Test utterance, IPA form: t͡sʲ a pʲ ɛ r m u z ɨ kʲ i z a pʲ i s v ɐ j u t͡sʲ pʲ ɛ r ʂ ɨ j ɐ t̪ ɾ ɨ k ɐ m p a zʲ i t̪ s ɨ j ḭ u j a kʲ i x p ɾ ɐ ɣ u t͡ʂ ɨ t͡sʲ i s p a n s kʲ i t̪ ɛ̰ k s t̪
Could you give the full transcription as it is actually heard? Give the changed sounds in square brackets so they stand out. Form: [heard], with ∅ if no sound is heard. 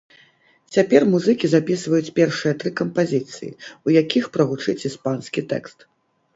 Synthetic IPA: t͡sʲ a pʲ ɛ r m u z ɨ kʲ i z a pʲ i s v ɐ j u t͡sʲ pʲ ɛ r ʂ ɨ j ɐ t̪ ɾ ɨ k ɐ m p a zʲ i t̪ s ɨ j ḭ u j a kʲ i x p ɾ ɐ ɣ u t͡ʂ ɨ t͡sʲ i s p a n s kʲ i t̪ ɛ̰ k s t̪

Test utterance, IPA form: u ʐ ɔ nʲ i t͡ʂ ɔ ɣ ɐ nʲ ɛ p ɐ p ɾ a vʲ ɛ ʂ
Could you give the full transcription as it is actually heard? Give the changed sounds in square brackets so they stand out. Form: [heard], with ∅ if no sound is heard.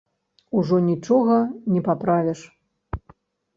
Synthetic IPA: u ʐ ɔ nʲ i t͡ʂ ɔ ɣ ɐ nʲ ɛ p [a] p ɾ a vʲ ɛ ʂ

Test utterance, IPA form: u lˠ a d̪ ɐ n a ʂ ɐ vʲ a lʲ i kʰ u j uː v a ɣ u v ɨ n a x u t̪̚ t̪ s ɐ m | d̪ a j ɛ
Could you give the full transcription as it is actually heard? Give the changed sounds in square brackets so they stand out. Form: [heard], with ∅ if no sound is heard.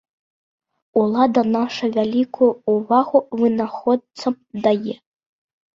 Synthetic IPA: u lˠ a d̪ ɐ n a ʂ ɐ vʲ a lʲ i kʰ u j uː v a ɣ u v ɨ n a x [ɔ] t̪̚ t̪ s ɐ m | d̪ a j ɛ

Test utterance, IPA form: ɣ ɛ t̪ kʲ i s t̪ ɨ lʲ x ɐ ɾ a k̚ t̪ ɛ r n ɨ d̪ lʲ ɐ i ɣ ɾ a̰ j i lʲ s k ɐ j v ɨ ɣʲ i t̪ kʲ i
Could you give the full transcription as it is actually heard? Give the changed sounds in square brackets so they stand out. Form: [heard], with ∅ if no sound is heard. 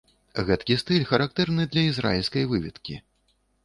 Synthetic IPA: ɣ ɛ t̪ kʲ i s t̪ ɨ lʲ x ɐ ɾ a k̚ t̪ ɛ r n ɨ d̪ lʲ ɐ i [z] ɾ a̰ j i lʲ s k ɐ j v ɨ [vʲ] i t̪ kʲ i

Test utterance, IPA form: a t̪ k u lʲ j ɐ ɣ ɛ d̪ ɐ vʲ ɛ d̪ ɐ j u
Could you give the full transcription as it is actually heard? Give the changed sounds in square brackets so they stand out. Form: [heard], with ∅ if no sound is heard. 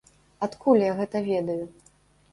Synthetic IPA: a t̪ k u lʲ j [a] ɣ ɛ [t̪] ɐ vʲ ɛ d̪ ɐ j u

